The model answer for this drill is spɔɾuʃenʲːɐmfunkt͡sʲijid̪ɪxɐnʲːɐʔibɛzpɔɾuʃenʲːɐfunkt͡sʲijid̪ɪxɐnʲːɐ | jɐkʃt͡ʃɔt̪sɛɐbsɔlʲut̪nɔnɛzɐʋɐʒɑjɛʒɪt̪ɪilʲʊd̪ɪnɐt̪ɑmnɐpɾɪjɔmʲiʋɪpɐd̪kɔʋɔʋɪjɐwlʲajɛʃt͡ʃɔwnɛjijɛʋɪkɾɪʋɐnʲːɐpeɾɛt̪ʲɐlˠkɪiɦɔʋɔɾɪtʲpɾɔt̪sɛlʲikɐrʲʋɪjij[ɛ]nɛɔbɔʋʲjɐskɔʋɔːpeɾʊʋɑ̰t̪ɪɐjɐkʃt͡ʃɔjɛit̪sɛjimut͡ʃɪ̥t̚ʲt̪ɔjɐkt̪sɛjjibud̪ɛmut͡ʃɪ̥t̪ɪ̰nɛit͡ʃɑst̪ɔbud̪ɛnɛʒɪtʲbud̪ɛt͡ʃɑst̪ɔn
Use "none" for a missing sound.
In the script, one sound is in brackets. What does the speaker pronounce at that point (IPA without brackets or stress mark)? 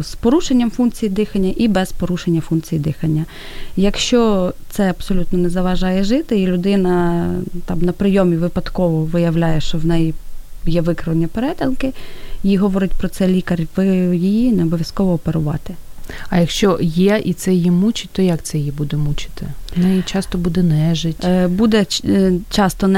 i